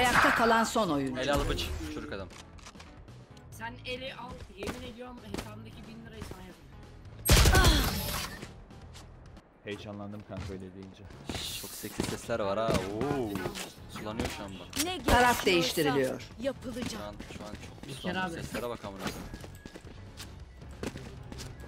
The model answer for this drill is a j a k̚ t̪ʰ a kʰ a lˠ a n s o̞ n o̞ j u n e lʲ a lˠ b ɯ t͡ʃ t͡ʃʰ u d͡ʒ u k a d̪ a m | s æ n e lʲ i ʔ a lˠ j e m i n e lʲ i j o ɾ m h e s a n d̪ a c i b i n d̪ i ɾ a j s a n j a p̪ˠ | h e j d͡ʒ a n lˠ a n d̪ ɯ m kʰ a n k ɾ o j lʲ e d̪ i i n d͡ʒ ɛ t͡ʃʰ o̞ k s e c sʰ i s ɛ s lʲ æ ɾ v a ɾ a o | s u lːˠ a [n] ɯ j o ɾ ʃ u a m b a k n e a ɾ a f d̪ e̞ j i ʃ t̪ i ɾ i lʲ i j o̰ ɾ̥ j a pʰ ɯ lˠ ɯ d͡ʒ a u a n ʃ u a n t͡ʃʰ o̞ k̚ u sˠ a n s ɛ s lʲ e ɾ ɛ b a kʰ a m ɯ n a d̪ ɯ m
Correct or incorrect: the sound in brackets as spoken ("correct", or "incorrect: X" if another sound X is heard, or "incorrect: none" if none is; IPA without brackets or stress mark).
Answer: correct